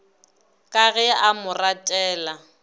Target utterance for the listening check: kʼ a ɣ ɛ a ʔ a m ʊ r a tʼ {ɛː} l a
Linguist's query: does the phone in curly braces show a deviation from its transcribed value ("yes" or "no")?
no